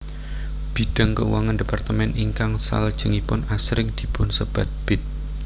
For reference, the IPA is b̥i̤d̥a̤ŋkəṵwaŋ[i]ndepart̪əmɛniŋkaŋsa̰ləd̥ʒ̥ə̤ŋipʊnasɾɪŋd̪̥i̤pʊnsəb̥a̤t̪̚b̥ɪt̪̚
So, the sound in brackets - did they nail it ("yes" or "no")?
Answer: no